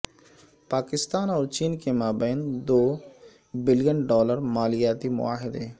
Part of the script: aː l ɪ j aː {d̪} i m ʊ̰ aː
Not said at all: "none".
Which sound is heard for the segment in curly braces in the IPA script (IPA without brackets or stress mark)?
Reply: t̪